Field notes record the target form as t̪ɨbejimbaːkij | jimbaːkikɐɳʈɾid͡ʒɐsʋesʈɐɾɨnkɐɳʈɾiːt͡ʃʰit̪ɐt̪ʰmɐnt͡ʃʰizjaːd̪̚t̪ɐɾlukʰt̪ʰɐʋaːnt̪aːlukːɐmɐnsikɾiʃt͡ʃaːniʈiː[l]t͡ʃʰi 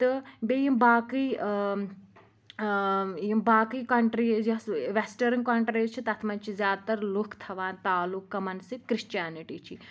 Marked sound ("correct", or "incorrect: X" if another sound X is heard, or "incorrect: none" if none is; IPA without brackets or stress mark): incorrect: none